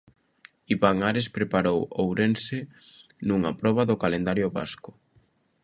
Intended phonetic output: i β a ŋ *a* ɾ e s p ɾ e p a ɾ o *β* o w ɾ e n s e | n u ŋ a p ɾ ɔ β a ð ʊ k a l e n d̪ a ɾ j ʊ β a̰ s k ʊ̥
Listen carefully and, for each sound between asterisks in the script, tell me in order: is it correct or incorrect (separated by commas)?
correct, incorrect